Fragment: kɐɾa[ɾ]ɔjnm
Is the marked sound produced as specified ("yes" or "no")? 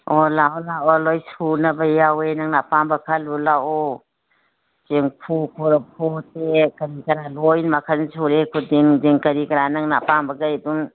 no